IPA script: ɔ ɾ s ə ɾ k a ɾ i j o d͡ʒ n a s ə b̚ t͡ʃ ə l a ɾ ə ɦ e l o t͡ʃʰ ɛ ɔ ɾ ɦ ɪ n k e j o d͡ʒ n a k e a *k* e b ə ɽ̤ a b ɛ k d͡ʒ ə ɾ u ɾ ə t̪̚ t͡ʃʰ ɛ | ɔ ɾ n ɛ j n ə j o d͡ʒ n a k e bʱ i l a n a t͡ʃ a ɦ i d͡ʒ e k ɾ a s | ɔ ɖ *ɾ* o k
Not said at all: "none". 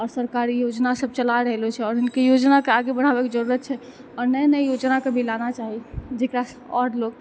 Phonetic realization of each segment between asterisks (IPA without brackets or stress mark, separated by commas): ɡ, l